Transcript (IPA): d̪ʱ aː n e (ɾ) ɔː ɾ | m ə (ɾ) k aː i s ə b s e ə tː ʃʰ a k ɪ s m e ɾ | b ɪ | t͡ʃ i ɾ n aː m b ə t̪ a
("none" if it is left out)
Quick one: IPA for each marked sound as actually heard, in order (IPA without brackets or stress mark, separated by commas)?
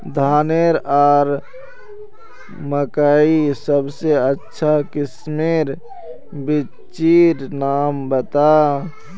ɾ, none